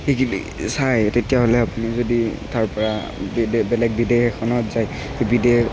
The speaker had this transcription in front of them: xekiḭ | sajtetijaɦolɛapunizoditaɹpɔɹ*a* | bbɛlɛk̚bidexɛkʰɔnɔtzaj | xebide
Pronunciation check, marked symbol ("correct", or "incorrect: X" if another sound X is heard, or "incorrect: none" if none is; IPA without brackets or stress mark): correct